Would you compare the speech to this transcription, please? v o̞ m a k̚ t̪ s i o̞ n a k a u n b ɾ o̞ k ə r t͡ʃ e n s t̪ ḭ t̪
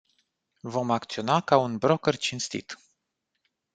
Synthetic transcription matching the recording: v o̞ m a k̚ t̪ s i o̞ n a k a u n b ɾ o̞ k ə r t͡ʃ i n s t̪ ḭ t̪